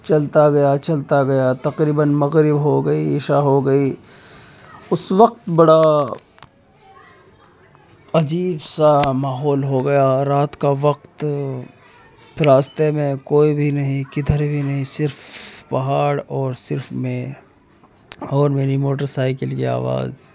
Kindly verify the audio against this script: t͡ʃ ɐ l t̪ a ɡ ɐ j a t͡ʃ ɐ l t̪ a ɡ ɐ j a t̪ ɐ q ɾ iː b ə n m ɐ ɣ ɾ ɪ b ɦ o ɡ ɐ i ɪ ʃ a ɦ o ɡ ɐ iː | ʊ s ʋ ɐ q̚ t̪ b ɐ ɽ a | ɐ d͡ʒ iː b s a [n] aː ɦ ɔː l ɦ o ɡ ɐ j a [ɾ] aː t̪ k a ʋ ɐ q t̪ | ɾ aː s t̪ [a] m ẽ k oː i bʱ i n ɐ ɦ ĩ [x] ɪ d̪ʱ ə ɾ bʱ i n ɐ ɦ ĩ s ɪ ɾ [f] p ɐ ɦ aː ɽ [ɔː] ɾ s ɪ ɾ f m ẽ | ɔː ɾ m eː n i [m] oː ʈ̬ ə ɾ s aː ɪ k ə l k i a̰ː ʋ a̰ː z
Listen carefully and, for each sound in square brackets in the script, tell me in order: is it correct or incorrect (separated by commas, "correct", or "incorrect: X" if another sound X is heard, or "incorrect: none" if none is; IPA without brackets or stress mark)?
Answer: incorrect: m, correct, incorrect: e, incorrect: k, correct, correct, correct